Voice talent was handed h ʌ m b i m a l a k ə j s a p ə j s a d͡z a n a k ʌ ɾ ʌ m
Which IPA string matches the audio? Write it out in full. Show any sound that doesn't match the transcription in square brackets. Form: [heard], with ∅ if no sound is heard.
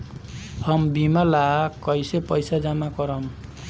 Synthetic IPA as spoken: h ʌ m b i m a l a k [ʌ] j s [e] p [ʌ] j s a d͡z a [m] a k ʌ ɾ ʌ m